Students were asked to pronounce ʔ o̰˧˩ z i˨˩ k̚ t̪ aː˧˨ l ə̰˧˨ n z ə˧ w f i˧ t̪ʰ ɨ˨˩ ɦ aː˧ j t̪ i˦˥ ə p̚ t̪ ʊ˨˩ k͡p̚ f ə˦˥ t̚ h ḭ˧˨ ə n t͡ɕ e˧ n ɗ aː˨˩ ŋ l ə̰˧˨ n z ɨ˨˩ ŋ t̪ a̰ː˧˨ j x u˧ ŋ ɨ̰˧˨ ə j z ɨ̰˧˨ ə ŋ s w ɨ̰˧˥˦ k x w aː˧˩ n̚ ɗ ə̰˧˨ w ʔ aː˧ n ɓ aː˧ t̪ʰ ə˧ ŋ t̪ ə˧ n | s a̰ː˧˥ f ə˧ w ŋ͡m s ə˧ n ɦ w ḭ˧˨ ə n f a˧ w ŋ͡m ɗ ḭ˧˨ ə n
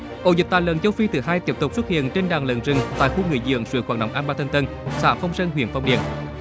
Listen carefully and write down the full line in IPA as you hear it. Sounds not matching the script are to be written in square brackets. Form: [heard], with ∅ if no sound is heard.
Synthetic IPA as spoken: ʔ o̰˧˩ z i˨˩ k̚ t̪ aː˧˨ l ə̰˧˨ n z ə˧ w f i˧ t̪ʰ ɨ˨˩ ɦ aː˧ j t̪ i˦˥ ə p̚ t̪ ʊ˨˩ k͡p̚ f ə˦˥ t̚ h ḭ˧˨ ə n t͡ɕ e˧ n ɗ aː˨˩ ŋ l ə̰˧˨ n z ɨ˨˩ ŋ t̪ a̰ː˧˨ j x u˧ ŋ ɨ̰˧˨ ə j z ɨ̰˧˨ ə ŋ s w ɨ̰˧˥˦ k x w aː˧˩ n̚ ɗ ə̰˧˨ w ʔ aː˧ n ɓ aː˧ t̪ʰ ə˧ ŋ t̪ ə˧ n | s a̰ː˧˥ f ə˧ w ŋ͡m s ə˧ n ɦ w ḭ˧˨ ə n f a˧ w ŋ͡m ɗ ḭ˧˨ ə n